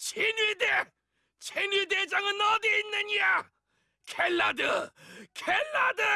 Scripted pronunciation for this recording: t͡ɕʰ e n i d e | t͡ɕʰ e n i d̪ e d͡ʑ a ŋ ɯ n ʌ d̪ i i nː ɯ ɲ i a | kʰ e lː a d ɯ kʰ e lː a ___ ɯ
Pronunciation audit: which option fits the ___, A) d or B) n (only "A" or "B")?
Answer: A